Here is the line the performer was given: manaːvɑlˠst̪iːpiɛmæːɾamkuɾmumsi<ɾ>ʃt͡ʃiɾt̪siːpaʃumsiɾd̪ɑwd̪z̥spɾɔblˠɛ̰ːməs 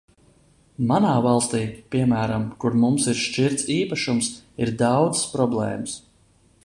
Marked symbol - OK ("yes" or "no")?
yes